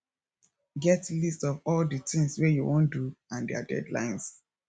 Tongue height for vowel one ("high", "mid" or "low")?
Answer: mid